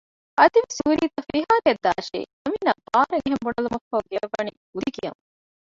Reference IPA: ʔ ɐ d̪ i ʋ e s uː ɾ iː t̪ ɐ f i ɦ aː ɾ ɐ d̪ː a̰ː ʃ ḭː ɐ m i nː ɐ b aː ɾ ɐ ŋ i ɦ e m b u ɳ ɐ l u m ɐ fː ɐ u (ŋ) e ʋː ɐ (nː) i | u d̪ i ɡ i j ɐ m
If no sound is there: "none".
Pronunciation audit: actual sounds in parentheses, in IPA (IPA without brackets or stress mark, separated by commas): ɡ, n